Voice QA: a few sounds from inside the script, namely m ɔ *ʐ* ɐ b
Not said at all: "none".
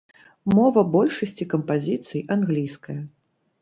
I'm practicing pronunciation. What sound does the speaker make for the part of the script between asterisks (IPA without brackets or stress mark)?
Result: v